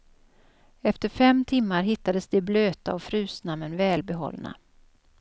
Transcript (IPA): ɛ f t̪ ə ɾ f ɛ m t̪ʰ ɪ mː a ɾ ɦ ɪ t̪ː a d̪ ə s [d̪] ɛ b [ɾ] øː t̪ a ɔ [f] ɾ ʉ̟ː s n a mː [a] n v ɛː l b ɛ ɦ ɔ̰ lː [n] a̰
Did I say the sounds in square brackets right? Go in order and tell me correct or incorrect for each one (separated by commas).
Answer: correct, incorrect, correct, incorrect, correct